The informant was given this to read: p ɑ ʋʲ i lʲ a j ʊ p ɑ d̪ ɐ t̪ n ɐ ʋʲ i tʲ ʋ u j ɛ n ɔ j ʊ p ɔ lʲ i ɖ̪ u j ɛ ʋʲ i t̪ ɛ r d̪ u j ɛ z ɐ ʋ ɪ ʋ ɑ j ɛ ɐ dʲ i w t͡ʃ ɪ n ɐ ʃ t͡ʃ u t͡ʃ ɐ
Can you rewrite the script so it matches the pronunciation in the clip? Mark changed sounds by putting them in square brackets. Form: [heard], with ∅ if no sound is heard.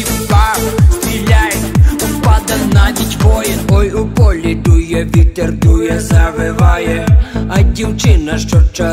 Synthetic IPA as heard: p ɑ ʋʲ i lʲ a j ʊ p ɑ d̪ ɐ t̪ n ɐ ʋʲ i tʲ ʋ [ɔ] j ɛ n ɔ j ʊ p ɔ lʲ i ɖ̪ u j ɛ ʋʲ i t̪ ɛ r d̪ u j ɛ z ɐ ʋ ɪ ʋ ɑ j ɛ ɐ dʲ i w t͡ʃ ɪ n ɐ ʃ t͡ʃ [ɔ] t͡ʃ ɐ

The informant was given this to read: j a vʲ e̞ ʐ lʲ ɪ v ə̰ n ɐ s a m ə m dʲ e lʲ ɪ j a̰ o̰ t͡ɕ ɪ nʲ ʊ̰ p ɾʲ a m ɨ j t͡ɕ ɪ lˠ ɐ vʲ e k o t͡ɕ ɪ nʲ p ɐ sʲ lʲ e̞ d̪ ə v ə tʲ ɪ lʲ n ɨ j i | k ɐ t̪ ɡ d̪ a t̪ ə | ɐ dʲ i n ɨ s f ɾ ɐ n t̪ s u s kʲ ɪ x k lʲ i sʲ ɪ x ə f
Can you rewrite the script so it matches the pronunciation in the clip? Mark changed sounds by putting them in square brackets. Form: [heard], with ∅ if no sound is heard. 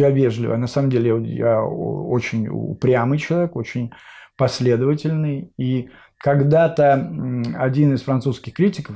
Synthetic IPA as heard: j a vʲ e̞ ʐ lʲ ɪ v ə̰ n ɐ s a m ə m dʲ e lʲ ɪ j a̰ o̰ t͡ɕ ɪ nʲ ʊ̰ p ɾʲ a m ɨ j t͡ɕ ɪ lˠ ɐ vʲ e k o t͡ɕ ɪ nʲ p ɐ sʲ lʲ e̞ d̪ ə v ə tʲ ɪ lʲ n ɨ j i | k ɐ [∅] ɡ d̪ a t̪ ə | ɐ dʲ i n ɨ s f ɾ ɐ n t̪ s u s kʲ ɪ x k [ɾʲ] i [tʲ] ɪ [k] ə f

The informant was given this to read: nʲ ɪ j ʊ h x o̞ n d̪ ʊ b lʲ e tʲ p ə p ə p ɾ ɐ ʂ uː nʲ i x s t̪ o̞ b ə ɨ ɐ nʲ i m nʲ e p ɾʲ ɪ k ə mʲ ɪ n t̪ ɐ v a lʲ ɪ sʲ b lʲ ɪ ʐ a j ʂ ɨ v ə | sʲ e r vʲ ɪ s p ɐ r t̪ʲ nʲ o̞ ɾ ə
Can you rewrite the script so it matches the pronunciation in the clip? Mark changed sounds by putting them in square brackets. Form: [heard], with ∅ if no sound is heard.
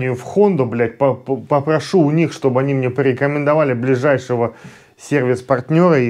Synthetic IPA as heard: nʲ ɪ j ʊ [f] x o̞ n d̪ ʊ b lʲ [æ] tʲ p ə p ə p ɾ ɐ ʂ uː nʲ i x [ʂ] t̪ o̞ b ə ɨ ɐ nʲ i m nʲ e p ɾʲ ɪ k ə mʲ ɪ n [d̪] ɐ v a lʲ ɪ [∅] b lʲ ɪ ʐ a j ʂ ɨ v ə | sʲ e r vʲ ɪ s p ɐ r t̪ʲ nʲ o̞ ɾ ə

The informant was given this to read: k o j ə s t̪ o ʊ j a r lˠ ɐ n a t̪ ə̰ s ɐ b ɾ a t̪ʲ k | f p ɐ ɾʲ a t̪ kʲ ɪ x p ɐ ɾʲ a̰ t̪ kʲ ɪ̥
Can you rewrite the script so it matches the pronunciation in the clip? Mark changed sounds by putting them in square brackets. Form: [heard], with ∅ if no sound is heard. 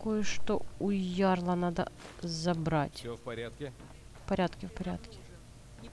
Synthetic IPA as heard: k o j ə [ʂ] t̪ o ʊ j a r lˠ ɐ n a [d̪] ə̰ [z] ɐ b ɾ a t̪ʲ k | f p ɐ ɾʲ a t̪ kʲ ɪ [f] p ɐ ɾʲ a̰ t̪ kʲ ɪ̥

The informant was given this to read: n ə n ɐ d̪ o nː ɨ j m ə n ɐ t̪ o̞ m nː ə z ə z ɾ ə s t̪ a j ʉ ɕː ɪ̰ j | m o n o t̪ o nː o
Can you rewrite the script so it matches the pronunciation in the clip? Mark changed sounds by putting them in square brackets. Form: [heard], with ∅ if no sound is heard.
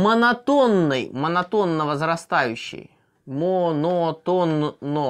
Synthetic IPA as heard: [m] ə n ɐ [t̪] o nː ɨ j m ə n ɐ t̪ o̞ [∅] nː ə [v] ə z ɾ [ɐ] s t̪ a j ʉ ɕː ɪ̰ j | m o n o t̪ o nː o

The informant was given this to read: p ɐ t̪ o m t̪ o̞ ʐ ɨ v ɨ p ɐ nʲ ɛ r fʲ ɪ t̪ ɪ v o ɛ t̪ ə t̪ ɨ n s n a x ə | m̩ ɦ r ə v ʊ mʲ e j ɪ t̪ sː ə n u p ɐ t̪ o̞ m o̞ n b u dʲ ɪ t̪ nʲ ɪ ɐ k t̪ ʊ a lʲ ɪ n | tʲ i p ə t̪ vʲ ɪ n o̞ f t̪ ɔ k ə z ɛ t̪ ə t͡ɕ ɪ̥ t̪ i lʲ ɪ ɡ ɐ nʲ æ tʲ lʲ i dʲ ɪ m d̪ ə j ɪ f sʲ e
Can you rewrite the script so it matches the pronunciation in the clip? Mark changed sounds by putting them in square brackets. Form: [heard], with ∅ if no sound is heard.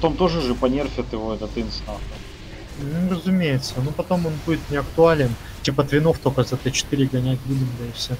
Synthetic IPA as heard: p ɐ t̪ o m t̪ o̞ ʐ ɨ [ʐ] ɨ p ɐ nʲ [e] r fʲ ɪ t̪ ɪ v o ɛ t̪ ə t̪ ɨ n s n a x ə | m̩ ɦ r ə [z] ʊ mʲ e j ɪ t̪ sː ə n u p ɐ t̪ o̞ m o̞ n b u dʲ ɪ t̪ nʲ ɪ ɐ k t̪ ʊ a lʲ ɪ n | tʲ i p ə t̪ vʲ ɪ n o̞ f t̪ [o] k ə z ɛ t̪ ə t͡ɕ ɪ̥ t̪ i [ɾʲ] ɪ ɡ ɐ nʲ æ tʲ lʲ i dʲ ɪ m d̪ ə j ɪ f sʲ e

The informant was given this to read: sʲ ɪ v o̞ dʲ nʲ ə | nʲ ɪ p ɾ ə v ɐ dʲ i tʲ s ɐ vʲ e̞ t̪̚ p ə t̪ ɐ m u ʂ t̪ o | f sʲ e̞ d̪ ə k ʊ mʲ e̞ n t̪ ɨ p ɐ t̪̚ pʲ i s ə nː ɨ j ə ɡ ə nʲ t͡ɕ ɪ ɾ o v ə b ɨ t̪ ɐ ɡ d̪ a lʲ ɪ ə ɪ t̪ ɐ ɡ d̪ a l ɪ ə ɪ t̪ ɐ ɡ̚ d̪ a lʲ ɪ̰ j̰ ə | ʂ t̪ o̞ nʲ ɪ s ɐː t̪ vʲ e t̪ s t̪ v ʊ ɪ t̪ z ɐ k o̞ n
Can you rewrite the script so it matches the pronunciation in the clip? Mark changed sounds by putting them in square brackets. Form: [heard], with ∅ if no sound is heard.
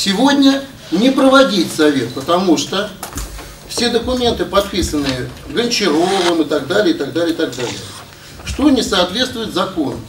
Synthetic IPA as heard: sʲ ɪ v o̞ dʲ nʲ ə | nʲ ɪ p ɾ ə v ɐ dʲ i tʲ s ɐ vʲ e̞ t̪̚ p ə t̪ ɐ m u ʂ t̪ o | f sʲ e̞ d̪ ə k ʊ mʲ e̞ n t̪ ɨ p ɐ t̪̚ pʲ i s ə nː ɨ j ə ɡ ə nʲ t͡ɕ ɪ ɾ o v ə [m] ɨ t̪ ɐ ɡ d̪ a lʲ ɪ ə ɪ t̪ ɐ ɡ d̪ a l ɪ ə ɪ t̪ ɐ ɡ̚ d̪ a lʲ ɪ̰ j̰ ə | ʂ t̪ o̞ nʲ ɪ s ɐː t̪ vʲ e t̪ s t̪ v ʊ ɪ t̪ z ɐ k o̞ n

